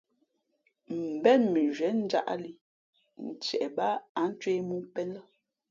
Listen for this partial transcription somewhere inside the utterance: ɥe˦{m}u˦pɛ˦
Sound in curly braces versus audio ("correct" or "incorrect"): correct